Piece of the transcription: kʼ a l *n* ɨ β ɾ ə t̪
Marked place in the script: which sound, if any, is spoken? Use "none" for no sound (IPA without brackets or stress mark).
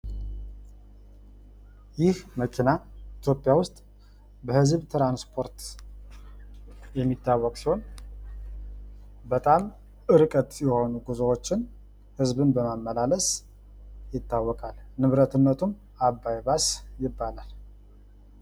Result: n